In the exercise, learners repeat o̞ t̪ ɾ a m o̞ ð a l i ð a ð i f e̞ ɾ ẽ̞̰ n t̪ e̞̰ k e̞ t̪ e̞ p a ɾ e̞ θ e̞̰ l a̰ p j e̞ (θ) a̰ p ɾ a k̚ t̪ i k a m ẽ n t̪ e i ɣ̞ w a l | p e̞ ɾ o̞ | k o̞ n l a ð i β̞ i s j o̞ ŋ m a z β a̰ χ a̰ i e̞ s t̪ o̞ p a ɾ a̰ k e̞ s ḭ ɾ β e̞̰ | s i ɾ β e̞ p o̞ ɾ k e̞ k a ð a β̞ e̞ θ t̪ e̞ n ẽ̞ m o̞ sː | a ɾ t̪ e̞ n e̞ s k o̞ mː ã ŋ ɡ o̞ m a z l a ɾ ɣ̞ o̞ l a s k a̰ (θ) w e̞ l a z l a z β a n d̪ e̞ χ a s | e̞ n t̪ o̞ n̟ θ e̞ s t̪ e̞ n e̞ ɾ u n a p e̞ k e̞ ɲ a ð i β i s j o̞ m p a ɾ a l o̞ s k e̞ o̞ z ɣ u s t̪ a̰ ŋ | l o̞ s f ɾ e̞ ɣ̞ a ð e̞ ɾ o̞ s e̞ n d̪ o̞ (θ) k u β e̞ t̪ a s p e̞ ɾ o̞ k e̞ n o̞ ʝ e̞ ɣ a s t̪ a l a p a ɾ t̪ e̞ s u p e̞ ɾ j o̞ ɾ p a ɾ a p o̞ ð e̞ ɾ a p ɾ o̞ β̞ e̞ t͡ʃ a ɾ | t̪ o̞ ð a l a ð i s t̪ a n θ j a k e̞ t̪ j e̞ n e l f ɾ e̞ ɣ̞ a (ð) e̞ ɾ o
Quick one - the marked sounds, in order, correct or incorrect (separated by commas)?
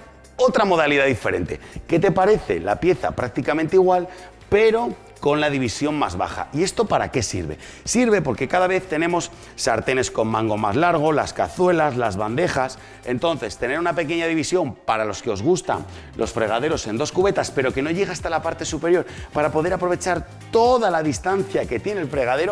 correct, correct, incorrect, correct